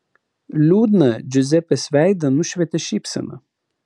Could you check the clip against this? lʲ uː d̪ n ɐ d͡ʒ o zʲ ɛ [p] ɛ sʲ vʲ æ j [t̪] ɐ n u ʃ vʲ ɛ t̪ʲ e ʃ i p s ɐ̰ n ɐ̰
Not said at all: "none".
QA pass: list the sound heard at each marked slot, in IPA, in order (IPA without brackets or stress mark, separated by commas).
p, d̪